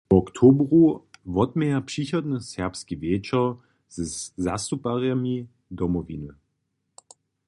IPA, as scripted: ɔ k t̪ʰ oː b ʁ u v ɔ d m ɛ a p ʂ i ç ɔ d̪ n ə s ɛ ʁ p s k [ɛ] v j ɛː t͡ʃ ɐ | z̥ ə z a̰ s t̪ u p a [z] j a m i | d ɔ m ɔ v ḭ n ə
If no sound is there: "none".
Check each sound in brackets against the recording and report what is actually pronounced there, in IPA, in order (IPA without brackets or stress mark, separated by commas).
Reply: i, ʁ